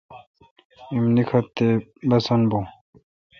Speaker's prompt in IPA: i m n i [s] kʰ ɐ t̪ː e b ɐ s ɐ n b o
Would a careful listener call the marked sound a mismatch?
yes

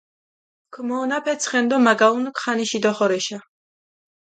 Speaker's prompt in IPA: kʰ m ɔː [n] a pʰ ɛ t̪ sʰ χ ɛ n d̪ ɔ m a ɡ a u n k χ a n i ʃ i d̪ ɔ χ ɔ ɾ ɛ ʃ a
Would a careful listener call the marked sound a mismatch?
no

